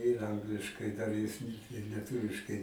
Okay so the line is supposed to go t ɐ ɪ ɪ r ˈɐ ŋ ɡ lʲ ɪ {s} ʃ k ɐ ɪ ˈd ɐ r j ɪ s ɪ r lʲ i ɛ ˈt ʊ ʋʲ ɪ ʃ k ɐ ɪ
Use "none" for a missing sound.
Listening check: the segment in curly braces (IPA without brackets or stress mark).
none